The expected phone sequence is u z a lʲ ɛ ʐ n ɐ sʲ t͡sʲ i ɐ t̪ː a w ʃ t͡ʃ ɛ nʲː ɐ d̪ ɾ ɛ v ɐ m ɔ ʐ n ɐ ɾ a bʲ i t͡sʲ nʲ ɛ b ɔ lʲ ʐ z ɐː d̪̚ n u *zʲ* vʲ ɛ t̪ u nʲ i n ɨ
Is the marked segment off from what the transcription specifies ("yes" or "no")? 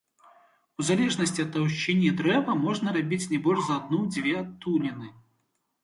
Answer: yes